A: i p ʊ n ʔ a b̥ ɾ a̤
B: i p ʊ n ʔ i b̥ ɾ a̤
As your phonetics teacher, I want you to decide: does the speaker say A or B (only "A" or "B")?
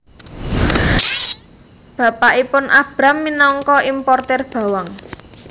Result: A